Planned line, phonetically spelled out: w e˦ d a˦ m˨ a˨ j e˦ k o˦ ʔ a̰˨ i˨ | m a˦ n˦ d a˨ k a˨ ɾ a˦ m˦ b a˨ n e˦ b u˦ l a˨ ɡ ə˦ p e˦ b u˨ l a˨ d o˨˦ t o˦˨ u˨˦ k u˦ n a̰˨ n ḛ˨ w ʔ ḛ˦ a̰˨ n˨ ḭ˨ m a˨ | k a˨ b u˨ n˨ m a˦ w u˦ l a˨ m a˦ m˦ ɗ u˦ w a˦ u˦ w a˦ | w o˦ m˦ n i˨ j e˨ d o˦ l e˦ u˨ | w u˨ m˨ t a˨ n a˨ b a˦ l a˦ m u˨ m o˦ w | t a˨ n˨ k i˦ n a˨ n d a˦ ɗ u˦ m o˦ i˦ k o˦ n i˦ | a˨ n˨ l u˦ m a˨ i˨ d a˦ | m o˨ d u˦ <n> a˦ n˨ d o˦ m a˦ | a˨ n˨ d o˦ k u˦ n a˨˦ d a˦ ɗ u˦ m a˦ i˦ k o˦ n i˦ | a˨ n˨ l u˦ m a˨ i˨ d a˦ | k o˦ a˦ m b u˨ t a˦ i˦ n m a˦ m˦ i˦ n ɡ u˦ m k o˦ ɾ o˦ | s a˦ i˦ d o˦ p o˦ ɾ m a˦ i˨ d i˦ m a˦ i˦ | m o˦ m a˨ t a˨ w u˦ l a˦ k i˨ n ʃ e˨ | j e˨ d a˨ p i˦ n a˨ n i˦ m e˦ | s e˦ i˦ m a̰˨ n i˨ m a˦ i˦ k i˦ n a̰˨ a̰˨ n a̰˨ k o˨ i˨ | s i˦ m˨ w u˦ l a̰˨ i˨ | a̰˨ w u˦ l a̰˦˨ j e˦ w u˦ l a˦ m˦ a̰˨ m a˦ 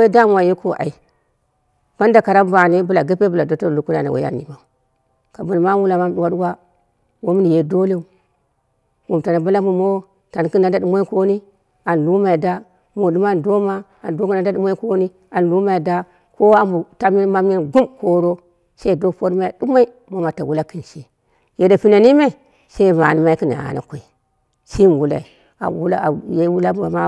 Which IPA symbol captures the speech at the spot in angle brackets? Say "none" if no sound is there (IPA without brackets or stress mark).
m